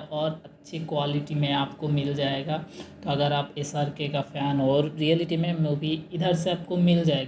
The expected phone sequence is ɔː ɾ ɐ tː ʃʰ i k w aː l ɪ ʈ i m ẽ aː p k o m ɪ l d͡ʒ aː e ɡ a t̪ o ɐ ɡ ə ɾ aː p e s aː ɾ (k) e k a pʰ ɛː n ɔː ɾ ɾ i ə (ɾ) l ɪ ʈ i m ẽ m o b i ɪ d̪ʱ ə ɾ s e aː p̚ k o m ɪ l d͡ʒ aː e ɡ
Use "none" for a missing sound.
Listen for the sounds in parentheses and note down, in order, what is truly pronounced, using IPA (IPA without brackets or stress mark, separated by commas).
k, none